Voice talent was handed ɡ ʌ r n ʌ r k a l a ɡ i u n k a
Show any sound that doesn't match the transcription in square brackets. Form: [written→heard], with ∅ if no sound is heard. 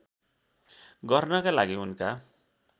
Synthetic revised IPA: ɡ ʌ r n ʌ [r→∅] k a l a ɡ i u n k a